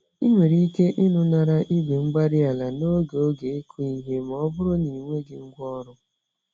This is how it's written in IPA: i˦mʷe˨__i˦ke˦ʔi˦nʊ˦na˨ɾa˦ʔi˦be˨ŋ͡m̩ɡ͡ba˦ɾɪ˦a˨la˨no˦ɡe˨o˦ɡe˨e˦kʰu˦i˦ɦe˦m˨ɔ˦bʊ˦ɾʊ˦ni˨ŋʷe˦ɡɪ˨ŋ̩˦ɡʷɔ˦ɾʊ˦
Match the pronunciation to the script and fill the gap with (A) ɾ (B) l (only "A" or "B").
A